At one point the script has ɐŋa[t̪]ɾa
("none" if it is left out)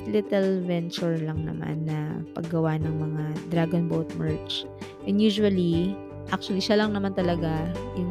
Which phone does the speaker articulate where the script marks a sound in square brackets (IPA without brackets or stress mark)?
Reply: d̪